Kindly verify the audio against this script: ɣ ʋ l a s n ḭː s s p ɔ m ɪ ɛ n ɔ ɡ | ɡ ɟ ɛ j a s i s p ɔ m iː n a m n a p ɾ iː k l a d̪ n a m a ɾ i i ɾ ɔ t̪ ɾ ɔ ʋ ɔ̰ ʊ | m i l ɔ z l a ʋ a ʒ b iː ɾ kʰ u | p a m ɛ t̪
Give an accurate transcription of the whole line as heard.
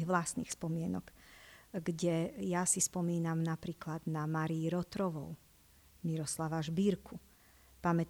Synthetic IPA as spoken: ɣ ʋ l a s n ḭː x s p ɔ m ɪ ɛ n ɔ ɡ | ɡ ɟ ɛ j a s i s p ɔ m iː n a m n a p ɾ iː k l a d̪ n a m a ɾ i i ɾ ɔ t̪ ɾ ɔ ʋ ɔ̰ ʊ | m i ɾ ɔ s l a ʋ a ʒ b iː ɾ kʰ u | p a m ɛ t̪